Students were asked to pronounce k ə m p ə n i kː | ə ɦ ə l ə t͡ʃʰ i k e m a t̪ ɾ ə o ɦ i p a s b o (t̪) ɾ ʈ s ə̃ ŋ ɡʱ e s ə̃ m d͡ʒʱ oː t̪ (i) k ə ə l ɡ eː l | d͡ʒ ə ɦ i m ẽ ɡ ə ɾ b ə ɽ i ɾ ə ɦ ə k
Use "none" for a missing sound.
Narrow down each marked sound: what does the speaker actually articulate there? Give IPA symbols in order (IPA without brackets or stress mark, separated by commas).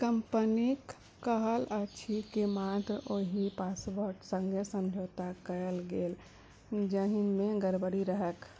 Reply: none, a